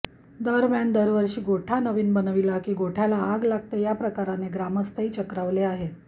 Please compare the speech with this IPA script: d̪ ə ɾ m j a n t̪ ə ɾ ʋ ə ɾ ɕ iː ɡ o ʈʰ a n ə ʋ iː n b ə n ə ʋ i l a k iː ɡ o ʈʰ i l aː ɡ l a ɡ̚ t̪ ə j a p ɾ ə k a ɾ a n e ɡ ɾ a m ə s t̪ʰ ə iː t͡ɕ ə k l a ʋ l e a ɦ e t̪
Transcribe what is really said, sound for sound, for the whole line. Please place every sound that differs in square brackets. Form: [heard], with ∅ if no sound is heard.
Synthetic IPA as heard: d̪ ə ɾ m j a n [d̪] ə ɾ ʋ ə ɾ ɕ iː ɡ o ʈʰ a n ə ʋ iː n b ə n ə ʋ i l a k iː ɡ o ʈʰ [a] l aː ɡ l a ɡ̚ t̪ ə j a p ɾ ə k a ɾ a n e ɡ ɾ a m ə s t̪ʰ ə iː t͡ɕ ə k [ɾ] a ʋ l e a ɦ e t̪